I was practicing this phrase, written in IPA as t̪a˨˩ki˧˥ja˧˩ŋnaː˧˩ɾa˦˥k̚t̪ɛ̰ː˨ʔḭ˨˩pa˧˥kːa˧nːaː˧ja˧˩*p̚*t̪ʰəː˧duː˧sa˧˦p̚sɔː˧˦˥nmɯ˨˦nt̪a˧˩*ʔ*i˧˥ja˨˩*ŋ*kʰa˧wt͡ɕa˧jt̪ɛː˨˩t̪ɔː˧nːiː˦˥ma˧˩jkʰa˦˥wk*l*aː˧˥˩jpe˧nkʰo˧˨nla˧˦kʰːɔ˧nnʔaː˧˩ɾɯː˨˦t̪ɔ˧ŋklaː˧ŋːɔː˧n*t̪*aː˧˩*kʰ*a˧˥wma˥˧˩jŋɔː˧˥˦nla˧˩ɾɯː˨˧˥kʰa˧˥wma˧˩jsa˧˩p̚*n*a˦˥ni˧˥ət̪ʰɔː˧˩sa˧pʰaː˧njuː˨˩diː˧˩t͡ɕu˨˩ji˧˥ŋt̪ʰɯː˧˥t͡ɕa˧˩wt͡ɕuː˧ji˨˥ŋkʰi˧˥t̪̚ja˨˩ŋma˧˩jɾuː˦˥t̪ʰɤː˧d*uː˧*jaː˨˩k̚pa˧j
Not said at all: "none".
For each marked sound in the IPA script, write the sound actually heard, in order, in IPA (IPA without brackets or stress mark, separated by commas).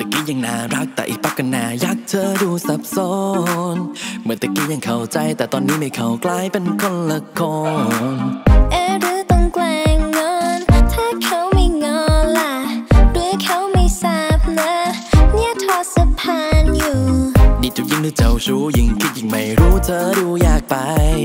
k̚, k, ŋ, l, t̪ʰ, kʰ, n, uː˧